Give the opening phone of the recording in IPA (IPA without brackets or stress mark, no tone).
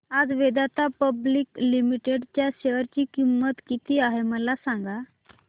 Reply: a